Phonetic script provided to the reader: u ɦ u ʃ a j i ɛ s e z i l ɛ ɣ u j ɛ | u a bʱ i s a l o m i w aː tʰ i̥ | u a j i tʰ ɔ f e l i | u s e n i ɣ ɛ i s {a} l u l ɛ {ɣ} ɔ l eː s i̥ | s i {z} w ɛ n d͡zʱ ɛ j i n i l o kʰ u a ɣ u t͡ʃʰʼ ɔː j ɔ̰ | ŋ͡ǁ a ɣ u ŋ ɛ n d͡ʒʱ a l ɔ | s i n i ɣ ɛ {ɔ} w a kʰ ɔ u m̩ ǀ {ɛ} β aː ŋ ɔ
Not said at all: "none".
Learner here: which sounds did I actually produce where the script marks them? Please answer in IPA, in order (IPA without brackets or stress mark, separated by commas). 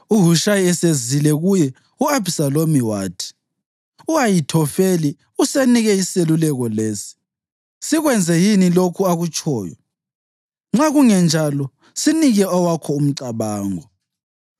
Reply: e, ɣ, ɣ, ɔ, a